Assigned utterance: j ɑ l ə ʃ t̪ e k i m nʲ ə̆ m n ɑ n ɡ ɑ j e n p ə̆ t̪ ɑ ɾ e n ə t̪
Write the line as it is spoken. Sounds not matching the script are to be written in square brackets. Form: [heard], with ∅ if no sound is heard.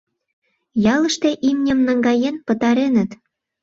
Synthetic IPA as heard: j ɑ l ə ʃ t̪ e [ʔ] i m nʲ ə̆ m n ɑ [ŋ] ɡ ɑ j e n p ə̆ t̪ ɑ ɾ e n ə t̪